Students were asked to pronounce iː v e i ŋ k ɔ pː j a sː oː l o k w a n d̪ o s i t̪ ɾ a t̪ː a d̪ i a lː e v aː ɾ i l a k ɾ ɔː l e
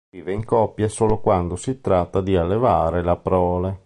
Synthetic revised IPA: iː v e i ŋ k ɔ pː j a s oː l o k w a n d̪ o s i t̪ ɾ a t̪ː a d̪ i a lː e v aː ɾ e l a p ɾ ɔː l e